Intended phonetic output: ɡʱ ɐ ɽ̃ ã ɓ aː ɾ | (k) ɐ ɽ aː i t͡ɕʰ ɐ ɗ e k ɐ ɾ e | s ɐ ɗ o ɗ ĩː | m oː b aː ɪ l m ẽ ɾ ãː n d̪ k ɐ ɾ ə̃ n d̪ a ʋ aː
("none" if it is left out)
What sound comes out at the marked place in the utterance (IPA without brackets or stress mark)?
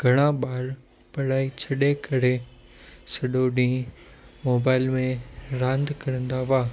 p